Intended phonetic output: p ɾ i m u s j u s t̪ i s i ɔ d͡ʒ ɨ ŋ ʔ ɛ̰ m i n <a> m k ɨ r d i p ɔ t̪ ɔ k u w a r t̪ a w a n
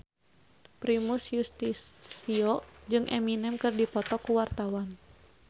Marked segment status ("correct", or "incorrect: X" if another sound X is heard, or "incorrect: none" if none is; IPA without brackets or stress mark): incorrect: ɛ